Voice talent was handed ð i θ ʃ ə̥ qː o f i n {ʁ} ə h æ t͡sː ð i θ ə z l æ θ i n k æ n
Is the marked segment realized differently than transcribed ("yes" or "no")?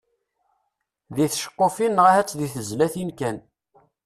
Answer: no